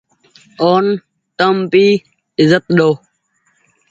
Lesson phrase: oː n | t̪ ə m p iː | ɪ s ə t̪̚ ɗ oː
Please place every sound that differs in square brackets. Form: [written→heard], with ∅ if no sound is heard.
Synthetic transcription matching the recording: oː n | t̪ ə m p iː | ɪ [s→z] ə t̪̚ ɗ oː